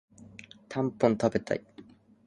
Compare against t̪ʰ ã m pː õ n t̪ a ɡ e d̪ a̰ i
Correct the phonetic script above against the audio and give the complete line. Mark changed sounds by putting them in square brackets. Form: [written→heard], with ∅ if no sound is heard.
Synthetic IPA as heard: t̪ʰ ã m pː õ n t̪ a [ɡ→b] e [d̪→t̪] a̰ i